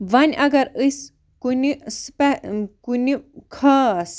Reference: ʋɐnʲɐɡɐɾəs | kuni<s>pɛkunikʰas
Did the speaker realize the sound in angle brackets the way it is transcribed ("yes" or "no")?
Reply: yes